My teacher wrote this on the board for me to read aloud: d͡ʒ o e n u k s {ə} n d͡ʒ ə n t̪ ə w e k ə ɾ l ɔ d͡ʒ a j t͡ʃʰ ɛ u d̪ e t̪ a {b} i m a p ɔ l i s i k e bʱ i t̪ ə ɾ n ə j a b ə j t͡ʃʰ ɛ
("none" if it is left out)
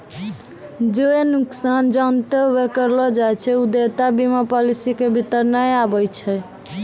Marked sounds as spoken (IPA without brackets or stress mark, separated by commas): a, b